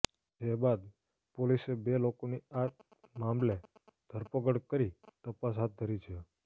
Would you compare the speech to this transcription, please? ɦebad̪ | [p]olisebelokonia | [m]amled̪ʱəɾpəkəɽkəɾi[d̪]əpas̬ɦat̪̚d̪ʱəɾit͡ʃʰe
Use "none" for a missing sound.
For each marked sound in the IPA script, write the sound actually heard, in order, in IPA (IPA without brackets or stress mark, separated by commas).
p, m, t̪